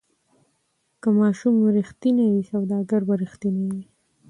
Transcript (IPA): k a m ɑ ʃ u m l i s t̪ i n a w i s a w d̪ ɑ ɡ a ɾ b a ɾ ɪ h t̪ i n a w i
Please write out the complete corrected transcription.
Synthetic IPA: k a m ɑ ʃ u m ɾ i x t̪ i n a w i s a w d̪ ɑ ɡ a ɾ b a ɾ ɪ x t̪ i n a w i